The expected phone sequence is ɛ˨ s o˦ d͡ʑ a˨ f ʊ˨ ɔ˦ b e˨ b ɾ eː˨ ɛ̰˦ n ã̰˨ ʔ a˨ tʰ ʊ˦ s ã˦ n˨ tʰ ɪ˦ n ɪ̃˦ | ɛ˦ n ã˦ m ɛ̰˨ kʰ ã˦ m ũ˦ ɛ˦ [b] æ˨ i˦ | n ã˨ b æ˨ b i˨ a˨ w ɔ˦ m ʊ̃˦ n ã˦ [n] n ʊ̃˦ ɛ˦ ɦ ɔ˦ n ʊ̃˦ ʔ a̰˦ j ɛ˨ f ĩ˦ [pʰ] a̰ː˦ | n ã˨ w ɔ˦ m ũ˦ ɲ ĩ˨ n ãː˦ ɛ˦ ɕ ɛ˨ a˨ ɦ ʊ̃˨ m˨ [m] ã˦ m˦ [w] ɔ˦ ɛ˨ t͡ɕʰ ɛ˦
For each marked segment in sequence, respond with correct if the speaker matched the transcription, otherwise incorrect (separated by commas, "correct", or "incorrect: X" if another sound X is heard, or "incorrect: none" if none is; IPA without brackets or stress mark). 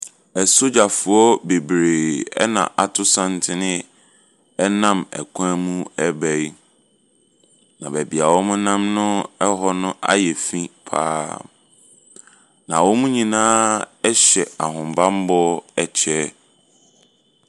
correct, incorrect: m, correct, incorrect: b, incorrect: b